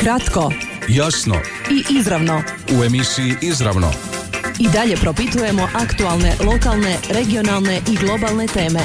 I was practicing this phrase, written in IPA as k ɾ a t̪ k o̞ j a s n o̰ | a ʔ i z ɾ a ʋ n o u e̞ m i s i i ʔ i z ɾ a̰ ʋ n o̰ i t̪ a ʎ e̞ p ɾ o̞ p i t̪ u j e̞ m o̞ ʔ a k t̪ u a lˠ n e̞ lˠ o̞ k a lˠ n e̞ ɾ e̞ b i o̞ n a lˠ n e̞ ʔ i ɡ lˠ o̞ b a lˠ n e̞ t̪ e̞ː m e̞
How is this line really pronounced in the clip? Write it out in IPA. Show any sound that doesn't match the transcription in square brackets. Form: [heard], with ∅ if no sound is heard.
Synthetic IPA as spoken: k ɾ a t̪ k o̞ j a s n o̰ | [i] ʔ i z ɾ a ʋ n o u e̞ m i s i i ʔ i z ɾ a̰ ʋ n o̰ i [d̪] a ʎ e̞ p ɾ o̞ p i t̪ u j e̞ m o̞ ʔ a k t̪ u a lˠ n e̞ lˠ o̞ k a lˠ n e̞ ɾ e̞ [ɡ] i o̞ n a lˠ n e̞ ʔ i ɡ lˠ o̞ b a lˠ n e̞ t̪ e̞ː m e̞